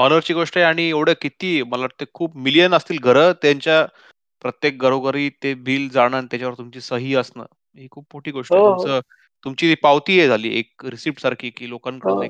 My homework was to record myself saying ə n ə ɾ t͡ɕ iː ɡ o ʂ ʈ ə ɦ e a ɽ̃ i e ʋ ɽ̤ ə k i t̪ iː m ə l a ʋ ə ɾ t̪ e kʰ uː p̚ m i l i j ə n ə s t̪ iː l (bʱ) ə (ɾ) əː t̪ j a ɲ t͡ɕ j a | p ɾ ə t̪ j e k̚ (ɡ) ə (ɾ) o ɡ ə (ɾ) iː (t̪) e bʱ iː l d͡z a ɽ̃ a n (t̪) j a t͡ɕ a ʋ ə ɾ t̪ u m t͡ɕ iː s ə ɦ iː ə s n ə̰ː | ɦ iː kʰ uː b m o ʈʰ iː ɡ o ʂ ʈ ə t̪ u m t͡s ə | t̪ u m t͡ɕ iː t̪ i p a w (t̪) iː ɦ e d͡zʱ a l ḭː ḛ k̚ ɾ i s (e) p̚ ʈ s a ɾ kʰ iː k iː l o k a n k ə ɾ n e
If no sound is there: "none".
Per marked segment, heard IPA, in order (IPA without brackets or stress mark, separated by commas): ɡʱ, ɾ, ɡ, ɾ, ɾ, t̪, t̪, t̪, i